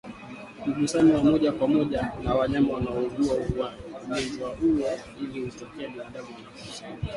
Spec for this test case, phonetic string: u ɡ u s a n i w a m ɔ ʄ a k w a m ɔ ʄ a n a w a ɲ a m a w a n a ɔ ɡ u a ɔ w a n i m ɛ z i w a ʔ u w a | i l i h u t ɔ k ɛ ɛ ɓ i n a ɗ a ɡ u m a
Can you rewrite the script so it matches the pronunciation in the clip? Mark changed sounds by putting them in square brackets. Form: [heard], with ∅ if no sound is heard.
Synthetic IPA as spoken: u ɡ u s a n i w a m ɔ ʄ a k w a m ɔ ʄ a n a w a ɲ a m a w a n a ɔ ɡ u a [u] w a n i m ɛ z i w a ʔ u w a | i l i h u t ɔ k ɛ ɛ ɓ i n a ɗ a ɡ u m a